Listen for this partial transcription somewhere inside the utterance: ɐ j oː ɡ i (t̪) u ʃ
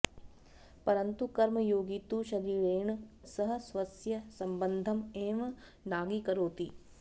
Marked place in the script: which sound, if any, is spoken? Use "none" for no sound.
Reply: t̪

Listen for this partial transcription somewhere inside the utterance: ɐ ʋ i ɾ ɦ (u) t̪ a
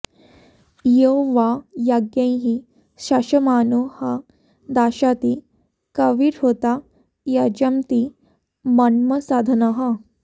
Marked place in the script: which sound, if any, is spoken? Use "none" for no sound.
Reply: o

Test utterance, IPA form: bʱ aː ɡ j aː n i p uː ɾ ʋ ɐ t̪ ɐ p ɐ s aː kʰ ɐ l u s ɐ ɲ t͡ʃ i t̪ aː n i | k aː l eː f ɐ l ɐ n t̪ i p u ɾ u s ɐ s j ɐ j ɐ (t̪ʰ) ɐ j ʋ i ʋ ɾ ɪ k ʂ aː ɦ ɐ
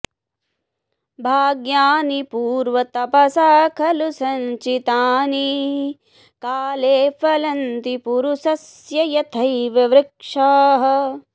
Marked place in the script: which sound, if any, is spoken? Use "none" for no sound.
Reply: t̪ʰ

